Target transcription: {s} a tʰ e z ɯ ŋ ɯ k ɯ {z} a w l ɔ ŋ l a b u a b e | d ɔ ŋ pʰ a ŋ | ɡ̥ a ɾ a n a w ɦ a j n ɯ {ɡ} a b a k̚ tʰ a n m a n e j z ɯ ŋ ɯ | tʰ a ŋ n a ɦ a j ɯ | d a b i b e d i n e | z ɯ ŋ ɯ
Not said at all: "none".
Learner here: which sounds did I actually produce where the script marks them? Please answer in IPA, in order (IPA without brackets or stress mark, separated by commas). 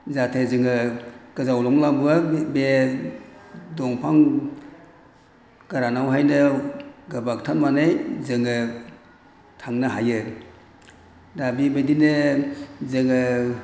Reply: z, z, ɡ